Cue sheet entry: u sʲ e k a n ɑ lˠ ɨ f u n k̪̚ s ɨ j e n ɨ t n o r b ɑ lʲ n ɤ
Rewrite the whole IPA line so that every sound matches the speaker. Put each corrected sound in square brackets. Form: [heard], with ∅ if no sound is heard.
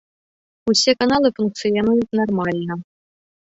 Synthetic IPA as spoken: u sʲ e k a n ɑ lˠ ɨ f u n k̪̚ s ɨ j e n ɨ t n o r [m] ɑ lʲ n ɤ